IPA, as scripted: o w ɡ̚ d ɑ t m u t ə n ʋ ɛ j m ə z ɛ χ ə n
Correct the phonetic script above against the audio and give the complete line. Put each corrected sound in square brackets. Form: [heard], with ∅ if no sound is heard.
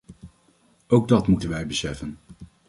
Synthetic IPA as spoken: o w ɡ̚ d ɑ t m u t ə n ʋ ɛ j [b] ə [s] ɛ [f] ə n